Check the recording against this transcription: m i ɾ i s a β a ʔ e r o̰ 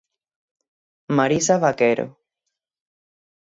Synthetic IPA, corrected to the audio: m a ɾ i s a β a k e ɾ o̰

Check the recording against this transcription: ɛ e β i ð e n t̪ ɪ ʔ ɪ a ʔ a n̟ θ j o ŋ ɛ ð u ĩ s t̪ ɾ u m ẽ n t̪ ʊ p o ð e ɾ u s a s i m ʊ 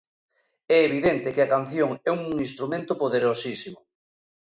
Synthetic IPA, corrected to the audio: ɛ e β i ð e n t̪ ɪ k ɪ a k a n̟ θ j o ŋ ɛ u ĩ s t̪ ɾ u m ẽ n t̪ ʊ p o ð e ɾ o s i s i m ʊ

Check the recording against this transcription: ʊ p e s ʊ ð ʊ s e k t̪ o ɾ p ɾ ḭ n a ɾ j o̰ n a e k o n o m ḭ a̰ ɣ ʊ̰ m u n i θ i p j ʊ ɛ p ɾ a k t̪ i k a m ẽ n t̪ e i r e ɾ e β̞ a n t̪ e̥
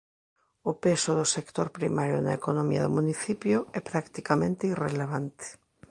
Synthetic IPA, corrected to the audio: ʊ p e s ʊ ð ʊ s e k t̪ o ɾ p ɾ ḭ m a ɾ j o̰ n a e k o n o m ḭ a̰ ð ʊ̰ m u n i θ i p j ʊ ɛ p ɾ a k t̪ i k a m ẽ n t̪ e i r e l e β̞ a n t̪ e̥

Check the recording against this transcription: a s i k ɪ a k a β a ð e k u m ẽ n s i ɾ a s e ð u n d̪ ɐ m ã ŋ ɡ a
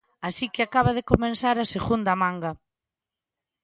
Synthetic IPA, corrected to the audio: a s i k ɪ a k a β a ð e k o m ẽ n s a ɾ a s e ɣ u n d̪ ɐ m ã ŋ ɡ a

